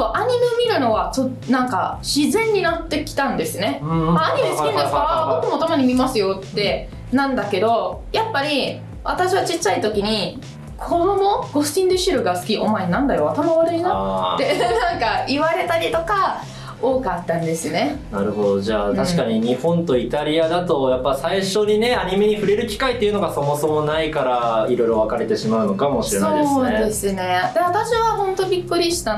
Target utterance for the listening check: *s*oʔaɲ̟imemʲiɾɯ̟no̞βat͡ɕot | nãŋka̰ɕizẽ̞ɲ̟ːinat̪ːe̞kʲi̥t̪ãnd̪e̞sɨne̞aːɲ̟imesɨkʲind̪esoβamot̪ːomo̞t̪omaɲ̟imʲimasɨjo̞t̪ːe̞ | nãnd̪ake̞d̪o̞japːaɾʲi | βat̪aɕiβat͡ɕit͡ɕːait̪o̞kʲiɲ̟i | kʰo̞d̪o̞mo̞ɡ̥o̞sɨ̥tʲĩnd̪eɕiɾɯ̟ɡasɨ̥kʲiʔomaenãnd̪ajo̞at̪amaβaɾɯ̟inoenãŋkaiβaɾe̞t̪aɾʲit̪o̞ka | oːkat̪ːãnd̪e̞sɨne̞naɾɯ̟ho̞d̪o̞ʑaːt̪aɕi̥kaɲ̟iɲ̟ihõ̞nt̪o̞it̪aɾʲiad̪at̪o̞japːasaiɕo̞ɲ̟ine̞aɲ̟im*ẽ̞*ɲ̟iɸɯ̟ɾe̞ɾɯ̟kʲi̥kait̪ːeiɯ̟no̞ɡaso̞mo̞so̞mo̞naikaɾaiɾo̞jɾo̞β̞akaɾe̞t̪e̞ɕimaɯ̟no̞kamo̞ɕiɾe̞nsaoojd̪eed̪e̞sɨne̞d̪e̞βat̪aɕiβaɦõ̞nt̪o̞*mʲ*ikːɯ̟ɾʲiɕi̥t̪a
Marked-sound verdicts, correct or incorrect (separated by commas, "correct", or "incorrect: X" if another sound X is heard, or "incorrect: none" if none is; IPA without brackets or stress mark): correct, incorrect: e̞, incorrect: bʲ